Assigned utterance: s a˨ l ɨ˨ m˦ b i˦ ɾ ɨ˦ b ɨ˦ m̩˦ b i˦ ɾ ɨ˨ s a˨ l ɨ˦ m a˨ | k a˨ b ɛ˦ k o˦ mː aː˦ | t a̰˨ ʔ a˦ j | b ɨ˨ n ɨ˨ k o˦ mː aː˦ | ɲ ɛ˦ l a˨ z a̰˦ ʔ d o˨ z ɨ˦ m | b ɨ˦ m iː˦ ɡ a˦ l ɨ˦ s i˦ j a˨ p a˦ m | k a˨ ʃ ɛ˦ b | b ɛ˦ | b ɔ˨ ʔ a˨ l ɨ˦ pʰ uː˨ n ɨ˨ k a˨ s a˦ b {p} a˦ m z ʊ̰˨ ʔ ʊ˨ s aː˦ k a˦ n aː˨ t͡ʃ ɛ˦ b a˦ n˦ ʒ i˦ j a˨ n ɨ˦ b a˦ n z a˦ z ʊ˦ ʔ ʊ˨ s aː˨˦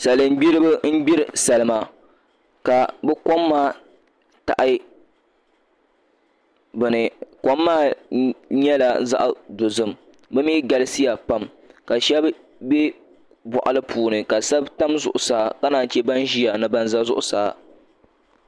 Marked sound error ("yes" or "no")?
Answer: yes